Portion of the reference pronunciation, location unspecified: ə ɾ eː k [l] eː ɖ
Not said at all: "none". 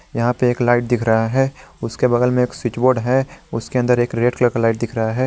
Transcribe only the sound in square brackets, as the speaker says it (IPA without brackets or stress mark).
ɾ